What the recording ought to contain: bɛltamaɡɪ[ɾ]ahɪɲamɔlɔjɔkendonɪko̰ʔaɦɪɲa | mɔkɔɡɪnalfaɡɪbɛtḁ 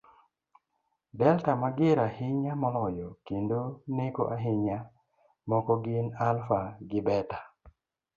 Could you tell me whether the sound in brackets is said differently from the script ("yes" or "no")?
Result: no